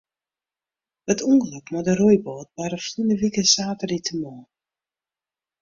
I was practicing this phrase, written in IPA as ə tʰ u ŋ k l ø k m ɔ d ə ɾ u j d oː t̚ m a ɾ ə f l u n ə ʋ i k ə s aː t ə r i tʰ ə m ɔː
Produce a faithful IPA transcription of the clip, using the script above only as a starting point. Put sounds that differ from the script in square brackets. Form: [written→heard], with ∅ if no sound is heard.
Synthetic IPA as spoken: ə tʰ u ŋ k l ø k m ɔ d ə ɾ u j [d→b] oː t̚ [m→b] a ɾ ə f l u n ə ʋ i k ə s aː t ə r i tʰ ə m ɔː